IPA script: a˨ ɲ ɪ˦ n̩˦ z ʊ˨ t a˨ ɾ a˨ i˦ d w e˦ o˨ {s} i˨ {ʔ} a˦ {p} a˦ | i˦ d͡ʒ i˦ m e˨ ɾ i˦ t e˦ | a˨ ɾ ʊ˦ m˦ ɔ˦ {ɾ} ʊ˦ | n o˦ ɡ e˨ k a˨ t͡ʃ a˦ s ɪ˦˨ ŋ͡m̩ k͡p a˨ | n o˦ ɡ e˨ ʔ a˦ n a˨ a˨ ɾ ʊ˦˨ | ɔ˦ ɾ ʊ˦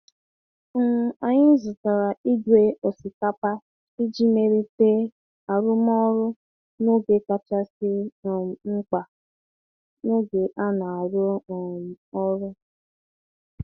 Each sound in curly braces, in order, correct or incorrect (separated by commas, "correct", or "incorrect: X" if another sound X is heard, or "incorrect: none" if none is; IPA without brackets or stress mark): correct, incorrect: k, correct, correct